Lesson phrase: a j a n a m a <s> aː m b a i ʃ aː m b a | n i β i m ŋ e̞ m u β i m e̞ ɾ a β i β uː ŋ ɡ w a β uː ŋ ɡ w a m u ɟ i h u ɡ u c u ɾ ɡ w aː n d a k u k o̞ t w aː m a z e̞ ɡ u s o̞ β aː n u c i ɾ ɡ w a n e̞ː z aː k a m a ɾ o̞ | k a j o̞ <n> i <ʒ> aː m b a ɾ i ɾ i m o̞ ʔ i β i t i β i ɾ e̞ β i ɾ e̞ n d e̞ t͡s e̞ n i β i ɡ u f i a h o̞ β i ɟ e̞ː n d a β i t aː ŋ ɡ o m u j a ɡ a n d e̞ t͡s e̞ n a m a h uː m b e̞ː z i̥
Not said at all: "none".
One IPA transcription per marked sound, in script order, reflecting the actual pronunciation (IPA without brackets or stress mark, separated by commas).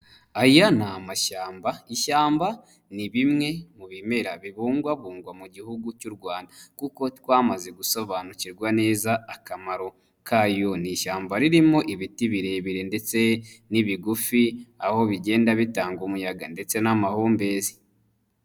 ʃ, n, ʃ